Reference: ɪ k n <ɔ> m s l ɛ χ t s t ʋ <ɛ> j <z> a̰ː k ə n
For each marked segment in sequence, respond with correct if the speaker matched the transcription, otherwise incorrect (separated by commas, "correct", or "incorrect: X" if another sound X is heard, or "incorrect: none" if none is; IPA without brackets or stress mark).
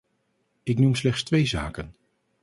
incorrect: u, incorrect: e, correct